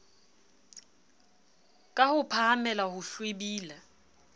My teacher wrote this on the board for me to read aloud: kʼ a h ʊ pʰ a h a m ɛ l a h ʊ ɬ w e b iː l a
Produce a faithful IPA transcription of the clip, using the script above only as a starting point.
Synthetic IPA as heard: kʼ a h ʊ pʰ a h a m ɛ l a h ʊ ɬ w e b iː l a